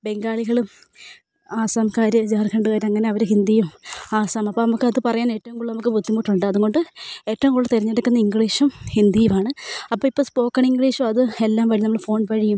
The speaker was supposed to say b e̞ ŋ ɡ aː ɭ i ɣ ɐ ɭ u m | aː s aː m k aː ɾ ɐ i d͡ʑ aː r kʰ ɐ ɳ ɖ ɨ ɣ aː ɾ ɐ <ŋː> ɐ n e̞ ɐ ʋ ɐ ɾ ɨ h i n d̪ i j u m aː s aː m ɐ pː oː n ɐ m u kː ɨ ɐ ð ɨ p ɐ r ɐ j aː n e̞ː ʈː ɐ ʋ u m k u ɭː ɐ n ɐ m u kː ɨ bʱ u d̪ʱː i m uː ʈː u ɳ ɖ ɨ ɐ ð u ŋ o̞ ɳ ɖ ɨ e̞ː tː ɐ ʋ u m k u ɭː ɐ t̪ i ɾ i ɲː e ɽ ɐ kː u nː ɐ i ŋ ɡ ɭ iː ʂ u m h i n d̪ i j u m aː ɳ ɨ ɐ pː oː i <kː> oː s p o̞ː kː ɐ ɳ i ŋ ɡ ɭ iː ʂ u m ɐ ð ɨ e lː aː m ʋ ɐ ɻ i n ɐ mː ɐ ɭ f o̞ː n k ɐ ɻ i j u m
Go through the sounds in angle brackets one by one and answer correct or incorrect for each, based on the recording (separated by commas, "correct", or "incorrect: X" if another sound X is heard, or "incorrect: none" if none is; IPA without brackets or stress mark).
correct, incorrect: pː